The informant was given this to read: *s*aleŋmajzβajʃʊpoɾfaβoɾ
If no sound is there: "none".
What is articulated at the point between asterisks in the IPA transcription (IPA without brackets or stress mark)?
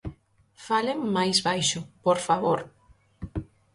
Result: f